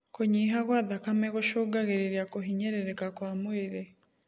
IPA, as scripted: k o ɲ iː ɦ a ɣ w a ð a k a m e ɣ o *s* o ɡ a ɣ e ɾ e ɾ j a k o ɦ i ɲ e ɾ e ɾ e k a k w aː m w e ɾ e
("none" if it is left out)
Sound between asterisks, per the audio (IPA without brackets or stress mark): ʃ